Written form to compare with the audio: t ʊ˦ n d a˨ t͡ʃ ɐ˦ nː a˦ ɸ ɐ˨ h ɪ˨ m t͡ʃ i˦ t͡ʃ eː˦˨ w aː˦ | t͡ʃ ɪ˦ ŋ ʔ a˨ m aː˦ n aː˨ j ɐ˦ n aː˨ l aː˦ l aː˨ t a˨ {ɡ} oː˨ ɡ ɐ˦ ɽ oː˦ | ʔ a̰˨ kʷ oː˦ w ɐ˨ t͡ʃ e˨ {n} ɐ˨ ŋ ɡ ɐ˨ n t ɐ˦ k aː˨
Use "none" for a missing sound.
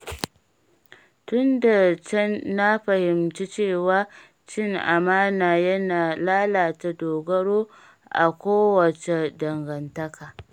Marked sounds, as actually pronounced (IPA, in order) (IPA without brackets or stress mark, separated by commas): d, d